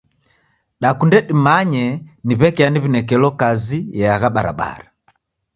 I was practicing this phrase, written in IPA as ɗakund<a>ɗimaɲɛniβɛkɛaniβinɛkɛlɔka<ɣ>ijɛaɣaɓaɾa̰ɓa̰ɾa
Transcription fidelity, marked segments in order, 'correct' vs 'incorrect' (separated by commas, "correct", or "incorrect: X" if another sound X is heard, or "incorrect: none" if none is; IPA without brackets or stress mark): incorrect: ɛ, incorrect: z